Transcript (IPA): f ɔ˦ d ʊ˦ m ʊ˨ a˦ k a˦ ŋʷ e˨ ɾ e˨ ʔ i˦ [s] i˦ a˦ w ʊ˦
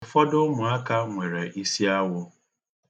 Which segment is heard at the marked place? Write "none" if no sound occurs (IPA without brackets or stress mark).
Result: s